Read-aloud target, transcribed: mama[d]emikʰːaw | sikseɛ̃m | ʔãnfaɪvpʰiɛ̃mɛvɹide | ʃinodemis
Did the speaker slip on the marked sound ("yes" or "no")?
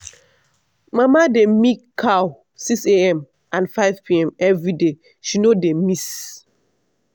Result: no